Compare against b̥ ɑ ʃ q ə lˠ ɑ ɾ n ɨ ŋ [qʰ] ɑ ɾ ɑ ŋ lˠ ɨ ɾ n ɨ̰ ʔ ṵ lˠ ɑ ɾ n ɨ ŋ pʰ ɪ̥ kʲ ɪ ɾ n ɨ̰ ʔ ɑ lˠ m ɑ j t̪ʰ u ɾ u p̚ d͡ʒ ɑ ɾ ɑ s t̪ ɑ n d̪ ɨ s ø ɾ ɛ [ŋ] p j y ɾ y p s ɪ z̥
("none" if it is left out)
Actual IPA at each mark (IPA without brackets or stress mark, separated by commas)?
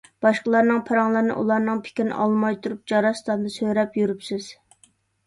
pʰ, none